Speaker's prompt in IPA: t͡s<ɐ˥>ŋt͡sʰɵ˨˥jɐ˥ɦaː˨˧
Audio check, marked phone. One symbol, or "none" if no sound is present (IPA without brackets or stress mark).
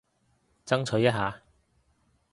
ɐ˥